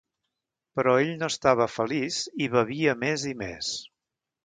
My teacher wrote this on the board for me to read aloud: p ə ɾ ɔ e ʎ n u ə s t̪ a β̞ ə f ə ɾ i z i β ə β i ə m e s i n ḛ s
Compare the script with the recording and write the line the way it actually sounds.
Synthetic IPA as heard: p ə ɾ ɔ e ʎ n o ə s t̪ a β̞ ə f ə l i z i β ə β i ə m e z i m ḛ s